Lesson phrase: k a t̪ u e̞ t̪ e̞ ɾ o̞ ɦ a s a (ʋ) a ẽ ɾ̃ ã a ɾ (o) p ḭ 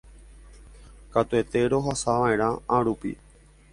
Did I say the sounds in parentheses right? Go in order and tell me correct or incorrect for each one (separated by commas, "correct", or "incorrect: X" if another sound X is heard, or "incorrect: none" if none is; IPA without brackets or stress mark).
correct, incorrect: u